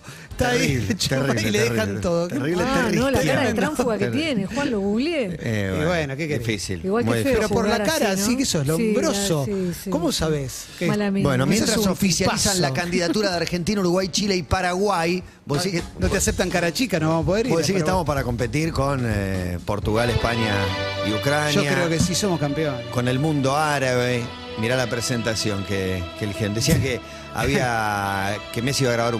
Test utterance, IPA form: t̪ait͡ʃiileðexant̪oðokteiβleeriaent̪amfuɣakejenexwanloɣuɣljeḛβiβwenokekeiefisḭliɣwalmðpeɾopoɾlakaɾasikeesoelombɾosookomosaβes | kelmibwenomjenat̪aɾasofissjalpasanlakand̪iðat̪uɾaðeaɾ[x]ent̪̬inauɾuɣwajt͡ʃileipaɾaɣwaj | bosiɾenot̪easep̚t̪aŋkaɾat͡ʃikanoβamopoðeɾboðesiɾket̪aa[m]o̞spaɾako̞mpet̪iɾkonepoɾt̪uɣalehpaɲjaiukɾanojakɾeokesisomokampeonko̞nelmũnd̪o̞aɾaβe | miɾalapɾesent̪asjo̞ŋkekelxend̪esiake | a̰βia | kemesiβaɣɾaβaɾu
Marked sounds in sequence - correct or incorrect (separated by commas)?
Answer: correct, correct